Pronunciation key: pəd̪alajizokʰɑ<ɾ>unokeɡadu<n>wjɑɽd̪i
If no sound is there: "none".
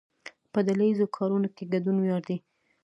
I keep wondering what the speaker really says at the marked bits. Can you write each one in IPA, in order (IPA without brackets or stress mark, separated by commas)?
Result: ɾ, n